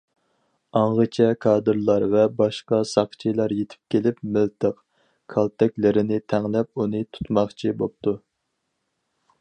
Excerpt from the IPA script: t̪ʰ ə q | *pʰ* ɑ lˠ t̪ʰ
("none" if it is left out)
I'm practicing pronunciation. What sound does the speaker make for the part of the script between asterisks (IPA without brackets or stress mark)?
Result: kʰ